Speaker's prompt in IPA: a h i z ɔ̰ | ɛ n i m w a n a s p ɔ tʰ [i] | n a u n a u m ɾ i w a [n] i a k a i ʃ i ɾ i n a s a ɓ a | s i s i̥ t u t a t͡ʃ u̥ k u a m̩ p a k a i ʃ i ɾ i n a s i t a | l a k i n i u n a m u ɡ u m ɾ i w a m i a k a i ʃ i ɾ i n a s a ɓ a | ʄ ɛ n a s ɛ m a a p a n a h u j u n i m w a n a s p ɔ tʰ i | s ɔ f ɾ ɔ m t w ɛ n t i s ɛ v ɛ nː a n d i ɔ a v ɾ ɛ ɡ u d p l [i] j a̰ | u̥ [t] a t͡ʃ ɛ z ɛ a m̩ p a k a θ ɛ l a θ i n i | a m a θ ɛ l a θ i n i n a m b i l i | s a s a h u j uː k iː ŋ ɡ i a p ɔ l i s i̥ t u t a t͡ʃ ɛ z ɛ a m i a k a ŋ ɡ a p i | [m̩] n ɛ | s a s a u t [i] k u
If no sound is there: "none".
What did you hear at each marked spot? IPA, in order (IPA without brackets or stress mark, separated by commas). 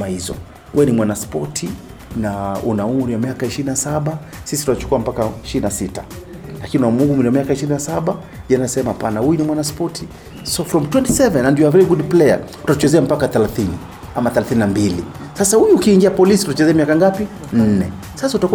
i, m, ɛ, t, n̩, a